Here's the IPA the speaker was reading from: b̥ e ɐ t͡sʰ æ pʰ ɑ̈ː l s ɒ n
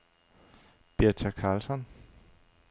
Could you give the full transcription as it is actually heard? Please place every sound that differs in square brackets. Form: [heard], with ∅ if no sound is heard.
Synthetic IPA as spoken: b̥ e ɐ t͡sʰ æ [kʰ] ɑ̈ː l s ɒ n